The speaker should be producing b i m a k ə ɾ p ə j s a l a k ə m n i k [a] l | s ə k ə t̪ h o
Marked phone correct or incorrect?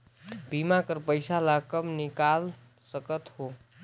correct